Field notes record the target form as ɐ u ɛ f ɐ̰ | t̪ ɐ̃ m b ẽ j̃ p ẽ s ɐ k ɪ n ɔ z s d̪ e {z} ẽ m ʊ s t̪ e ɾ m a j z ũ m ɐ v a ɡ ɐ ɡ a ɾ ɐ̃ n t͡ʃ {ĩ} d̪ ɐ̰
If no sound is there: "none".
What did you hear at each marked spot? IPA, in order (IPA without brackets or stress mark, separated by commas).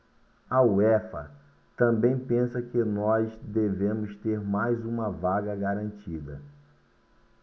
v, i